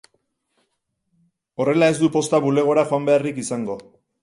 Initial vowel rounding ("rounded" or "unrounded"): rounded